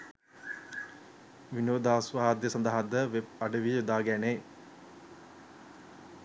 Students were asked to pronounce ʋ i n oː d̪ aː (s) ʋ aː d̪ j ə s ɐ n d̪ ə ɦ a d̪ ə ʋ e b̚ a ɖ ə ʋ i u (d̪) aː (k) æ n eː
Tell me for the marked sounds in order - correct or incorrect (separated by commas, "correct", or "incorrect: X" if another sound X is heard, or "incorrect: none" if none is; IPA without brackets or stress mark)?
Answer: correct, correct, incorrect: ɡ